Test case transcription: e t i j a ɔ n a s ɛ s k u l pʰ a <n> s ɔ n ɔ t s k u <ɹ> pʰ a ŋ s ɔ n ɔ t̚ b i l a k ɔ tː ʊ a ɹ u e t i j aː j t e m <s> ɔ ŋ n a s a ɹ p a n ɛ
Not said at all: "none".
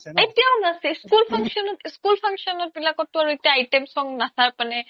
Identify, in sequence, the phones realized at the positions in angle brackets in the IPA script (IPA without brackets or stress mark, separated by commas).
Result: ŋ, l, s